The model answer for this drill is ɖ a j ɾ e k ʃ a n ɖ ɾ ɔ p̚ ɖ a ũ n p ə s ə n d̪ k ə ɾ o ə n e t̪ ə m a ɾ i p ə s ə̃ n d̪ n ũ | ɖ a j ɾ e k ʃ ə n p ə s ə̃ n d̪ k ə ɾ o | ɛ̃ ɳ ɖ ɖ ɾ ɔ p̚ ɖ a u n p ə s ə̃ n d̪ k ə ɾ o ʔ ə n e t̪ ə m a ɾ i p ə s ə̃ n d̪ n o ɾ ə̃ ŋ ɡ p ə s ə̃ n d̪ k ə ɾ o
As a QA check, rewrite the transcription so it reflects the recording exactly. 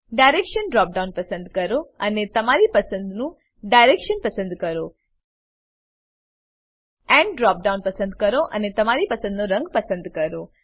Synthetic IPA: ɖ a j ɾ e k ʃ ə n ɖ ɾ ɔ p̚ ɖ a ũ n p ə s ə n d̪ k ə ɾ o ə n e t̪ ə m a ɾ i p ə s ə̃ n d̪ n ũ | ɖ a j ɾ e k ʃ ə n p ə s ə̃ n d̪ k ə ɾ o | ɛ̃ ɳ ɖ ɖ ɾ ɔ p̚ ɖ a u n p ə s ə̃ n d̪ k ə ɾ o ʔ ə n e t̪ ə m a ɾ i p ə s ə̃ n d̪ n o ɾ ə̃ ŋ ɡ p ə s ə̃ n d̪ k ə ɾ o